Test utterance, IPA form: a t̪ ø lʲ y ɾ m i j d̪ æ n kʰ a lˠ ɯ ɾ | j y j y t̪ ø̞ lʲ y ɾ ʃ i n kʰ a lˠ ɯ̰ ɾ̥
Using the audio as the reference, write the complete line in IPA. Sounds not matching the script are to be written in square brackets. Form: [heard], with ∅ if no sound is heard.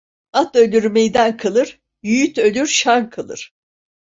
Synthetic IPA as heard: a t̪ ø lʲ y ɾ m [e] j d̪ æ n kʰ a lˠ ɯ ɾ | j y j y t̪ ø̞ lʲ y ɾ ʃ [a] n kʰ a lˠ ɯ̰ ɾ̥